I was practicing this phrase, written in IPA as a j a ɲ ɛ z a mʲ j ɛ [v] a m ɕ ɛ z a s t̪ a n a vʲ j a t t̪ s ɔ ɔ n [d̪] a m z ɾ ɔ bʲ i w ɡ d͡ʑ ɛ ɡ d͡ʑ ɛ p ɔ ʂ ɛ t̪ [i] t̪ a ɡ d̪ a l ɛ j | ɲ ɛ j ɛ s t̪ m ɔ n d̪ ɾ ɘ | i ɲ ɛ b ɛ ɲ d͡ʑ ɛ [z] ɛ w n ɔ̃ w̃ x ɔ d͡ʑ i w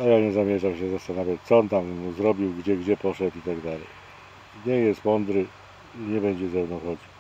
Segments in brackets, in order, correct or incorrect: incorrect: ʐ, incorrect: t̪, correct, correct

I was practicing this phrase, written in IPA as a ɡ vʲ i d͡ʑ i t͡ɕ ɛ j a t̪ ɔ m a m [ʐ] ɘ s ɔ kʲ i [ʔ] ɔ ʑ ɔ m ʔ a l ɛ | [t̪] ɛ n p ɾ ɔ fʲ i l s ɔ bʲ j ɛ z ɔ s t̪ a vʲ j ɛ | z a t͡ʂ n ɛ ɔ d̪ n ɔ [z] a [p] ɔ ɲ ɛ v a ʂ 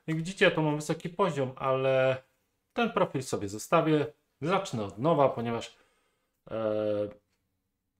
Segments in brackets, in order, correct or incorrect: incorrect: v, incorrect: p, correct, incorrect: v, correct

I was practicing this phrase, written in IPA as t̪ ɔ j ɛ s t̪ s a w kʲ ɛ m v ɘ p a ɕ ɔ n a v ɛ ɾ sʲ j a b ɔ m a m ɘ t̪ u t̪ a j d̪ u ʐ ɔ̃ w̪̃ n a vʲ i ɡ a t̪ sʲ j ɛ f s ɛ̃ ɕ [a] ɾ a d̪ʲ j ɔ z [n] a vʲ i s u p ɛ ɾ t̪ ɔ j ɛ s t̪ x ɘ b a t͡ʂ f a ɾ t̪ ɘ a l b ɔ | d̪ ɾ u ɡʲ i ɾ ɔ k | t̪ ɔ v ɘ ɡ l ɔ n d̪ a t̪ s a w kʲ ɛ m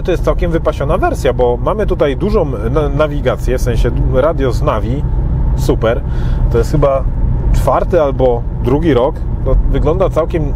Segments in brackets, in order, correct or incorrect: incorrect: ɛ, correct

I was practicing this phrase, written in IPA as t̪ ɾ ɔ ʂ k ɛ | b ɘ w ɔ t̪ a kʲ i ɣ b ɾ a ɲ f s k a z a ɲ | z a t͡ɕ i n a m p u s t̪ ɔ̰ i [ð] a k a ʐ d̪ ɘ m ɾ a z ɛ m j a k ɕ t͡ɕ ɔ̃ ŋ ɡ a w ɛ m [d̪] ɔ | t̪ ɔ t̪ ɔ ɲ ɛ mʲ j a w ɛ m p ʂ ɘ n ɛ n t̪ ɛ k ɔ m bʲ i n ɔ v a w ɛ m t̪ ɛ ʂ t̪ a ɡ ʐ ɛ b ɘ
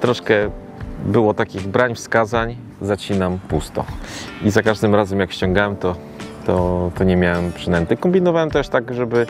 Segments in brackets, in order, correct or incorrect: incorrect: z, incorrect: t̪

